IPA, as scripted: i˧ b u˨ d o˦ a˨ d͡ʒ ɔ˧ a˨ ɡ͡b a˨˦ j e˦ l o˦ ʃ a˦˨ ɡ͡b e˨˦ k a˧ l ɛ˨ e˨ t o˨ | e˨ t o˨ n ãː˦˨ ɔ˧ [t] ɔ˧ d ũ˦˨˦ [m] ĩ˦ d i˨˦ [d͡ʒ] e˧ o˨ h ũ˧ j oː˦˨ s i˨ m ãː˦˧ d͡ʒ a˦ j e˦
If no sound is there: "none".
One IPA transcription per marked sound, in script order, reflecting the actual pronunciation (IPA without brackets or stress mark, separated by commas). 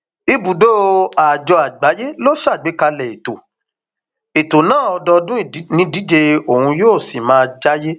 d, n, d͡ʒ